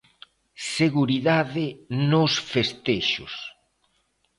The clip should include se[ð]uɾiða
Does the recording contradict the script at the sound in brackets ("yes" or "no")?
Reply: yes